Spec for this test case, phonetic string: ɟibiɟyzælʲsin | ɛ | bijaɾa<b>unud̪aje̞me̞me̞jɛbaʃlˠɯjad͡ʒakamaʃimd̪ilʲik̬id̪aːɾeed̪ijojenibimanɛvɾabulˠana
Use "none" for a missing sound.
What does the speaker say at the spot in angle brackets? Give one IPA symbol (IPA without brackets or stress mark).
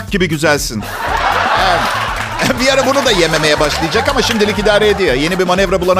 b